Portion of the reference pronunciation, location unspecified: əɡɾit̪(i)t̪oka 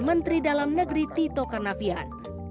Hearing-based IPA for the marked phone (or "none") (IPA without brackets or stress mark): i